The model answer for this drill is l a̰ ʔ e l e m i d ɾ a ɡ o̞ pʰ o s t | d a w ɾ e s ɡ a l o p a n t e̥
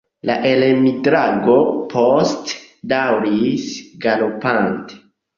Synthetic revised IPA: l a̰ ʔ e l e m i d ɾ a ɡ o̞ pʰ o s t | d a w ɾ i s ɡ a l o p a n t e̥